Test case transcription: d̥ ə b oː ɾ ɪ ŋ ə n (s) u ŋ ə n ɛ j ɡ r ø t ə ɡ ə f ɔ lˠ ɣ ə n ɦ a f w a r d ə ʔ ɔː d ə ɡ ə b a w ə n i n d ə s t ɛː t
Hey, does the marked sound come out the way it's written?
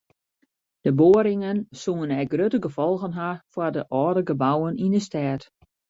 yes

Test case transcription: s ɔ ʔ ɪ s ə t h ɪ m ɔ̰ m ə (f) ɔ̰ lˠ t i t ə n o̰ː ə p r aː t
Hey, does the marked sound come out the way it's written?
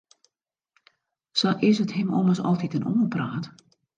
no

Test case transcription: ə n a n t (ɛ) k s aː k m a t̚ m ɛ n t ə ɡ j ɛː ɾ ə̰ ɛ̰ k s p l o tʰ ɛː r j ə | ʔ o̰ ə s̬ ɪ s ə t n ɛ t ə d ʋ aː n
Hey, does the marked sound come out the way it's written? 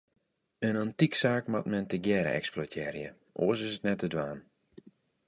no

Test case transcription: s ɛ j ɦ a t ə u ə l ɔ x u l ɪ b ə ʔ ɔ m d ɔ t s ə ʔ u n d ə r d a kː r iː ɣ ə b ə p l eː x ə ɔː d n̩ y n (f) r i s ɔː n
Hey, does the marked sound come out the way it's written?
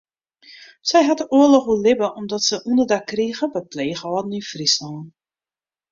yes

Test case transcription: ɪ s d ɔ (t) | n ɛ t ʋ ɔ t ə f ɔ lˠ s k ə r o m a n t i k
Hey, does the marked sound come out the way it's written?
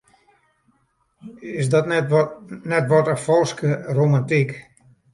yes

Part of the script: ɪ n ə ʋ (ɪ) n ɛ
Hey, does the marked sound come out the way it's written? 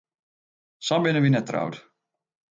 no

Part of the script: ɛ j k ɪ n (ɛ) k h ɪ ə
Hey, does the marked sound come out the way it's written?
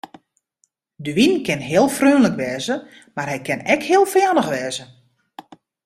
yes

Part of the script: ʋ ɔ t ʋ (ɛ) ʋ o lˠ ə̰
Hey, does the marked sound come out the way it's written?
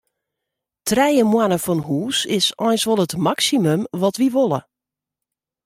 no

